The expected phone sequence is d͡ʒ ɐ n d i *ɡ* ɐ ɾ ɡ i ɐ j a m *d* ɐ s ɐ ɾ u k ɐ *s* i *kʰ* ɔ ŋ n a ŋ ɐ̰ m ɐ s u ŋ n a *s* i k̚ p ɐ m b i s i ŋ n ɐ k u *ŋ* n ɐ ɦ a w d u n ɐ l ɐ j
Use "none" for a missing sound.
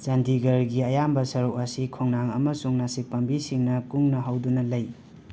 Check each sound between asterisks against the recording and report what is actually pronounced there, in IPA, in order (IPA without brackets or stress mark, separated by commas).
ɡ, b, s, kʰ, s, ŋ